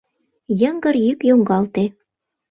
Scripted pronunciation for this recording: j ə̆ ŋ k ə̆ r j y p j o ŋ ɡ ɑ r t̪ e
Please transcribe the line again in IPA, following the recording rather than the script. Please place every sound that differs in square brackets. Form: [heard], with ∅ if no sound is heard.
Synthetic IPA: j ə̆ ŋ [ɡ] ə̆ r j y [k] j o ŋ ɡ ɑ [l] t̪ e